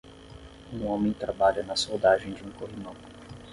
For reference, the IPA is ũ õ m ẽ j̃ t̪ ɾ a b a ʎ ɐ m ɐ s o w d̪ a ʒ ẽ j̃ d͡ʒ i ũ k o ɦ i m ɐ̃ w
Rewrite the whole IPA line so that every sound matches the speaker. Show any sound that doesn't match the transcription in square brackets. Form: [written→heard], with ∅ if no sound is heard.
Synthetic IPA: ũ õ m ẽ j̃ t̪ ɾ a b a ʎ ɐ [m→n] ɐ s o w d̪ a ʒ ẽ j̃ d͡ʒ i ũ k o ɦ i m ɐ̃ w